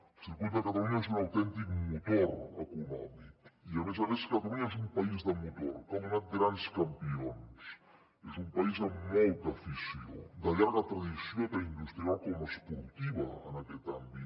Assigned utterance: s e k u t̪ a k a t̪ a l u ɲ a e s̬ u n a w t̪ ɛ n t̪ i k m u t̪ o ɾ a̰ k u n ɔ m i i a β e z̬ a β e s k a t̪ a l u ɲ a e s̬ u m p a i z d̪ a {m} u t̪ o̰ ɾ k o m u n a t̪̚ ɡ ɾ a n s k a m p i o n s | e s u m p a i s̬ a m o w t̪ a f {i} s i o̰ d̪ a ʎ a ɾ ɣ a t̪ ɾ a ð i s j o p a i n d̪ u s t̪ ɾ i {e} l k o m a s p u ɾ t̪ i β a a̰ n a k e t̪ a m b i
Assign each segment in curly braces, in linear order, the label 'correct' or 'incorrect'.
correct, correct, incorrect: a

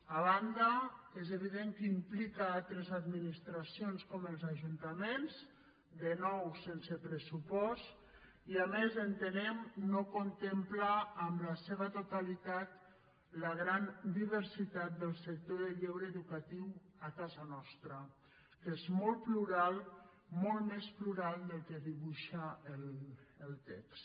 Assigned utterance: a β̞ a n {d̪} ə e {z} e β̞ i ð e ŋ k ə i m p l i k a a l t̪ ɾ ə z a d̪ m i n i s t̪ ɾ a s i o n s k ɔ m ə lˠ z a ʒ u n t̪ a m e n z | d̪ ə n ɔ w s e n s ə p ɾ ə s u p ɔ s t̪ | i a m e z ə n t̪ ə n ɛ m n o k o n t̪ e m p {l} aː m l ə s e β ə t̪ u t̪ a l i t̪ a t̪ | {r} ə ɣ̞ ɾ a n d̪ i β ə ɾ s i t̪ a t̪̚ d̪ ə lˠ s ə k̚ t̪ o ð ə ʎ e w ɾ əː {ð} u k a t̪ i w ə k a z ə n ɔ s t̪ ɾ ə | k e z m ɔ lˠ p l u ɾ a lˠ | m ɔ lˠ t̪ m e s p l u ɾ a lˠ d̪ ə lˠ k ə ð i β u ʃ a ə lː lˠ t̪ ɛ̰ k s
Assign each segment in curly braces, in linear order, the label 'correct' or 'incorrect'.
correct, correct, correct, incorrect: l, correct

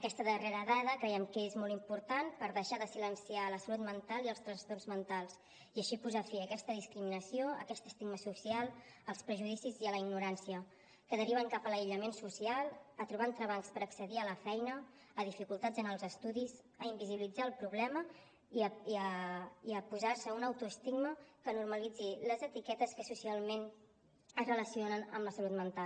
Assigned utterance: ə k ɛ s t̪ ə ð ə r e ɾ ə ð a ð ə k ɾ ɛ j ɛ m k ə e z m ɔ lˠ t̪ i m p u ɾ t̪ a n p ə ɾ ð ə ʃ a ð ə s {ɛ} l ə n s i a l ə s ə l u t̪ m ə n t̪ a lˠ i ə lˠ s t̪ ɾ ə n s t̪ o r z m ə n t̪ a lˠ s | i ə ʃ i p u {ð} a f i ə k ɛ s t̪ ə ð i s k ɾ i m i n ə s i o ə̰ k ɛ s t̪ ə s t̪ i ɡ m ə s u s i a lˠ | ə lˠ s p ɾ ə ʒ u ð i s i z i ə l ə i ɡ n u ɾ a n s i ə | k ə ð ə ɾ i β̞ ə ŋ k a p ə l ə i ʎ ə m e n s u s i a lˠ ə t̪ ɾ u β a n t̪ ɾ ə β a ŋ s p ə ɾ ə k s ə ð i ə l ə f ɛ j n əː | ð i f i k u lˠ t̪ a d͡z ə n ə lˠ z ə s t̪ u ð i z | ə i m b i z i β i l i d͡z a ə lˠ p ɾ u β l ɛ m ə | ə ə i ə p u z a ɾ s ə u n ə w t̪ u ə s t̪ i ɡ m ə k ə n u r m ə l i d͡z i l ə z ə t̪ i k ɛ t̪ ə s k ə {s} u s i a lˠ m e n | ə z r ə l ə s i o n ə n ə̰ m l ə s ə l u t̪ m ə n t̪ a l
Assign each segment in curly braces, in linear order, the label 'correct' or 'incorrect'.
incorrect: i, incorrect: z, correct

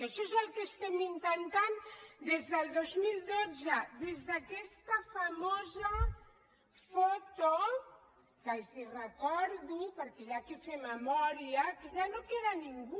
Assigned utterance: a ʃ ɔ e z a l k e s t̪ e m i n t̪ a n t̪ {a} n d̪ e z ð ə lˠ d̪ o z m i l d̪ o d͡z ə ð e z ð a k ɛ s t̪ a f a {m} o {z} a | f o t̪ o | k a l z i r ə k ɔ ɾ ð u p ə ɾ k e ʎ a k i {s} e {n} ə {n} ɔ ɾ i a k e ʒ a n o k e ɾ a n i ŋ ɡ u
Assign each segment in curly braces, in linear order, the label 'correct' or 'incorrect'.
correct, correct, correct, incorrect: f, incorrect: m, incorrect: m

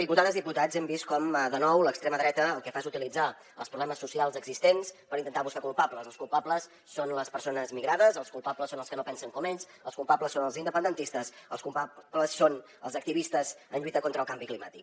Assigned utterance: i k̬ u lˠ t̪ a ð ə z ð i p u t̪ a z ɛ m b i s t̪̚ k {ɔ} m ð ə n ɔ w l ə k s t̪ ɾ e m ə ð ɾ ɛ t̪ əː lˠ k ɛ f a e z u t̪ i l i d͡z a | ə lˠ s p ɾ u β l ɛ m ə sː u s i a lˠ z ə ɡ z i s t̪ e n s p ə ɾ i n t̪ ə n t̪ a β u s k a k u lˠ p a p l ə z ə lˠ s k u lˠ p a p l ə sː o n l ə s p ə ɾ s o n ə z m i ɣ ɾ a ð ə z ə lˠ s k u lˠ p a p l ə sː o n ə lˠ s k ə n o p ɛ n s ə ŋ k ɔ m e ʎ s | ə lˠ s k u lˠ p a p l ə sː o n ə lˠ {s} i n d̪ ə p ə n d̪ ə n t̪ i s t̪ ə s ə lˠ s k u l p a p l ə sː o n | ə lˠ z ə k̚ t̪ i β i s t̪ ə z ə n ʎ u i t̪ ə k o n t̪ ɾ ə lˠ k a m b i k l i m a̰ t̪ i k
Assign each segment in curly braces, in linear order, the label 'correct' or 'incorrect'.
correct, incorrect: z

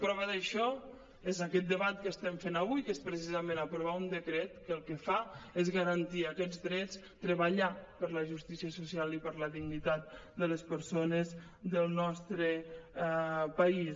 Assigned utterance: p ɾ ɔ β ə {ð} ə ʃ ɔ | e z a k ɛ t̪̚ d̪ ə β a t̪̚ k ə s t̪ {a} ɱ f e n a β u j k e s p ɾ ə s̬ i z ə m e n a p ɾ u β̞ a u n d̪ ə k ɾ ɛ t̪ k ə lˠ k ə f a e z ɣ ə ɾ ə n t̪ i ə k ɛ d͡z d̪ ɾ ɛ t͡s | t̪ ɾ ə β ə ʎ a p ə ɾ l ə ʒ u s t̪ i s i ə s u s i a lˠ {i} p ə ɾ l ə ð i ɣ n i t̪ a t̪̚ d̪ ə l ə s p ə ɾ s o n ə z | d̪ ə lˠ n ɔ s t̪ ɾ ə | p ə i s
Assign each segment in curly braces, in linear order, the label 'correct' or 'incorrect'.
correct, incorrect: ɛ, correct

